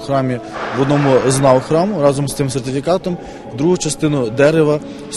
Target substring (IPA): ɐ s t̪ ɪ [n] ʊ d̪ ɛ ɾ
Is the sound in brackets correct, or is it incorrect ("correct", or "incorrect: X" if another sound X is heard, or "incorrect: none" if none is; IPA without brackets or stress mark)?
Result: correct